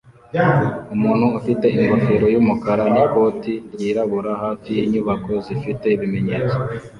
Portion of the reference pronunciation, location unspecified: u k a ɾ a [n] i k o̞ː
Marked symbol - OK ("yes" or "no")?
yes